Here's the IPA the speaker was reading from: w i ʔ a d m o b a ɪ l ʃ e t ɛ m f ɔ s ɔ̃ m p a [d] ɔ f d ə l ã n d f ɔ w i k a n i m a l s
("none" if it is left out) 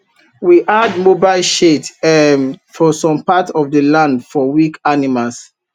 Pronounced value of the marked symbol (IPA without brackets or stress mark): t